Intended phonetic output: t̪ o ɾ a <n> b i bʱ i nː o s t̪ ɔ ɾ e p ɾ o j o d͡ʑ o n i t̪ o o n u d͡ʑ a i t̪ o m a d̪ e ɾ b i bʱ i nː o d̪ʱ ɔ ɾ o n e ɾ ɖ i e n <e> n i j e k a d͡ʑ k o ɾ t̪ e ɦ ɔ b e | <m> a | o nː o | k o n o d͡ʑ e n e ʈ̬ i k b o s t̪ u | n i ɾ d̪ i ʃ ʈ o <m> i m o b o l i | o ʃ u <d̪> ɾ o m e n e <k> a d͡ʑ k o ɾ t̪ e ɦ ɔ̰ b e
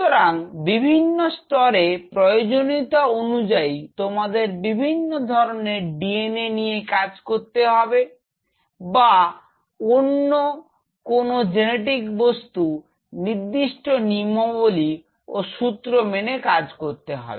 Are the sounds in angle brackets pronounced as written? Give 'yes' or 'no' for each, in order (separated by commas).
no, yes, no, no, no, yes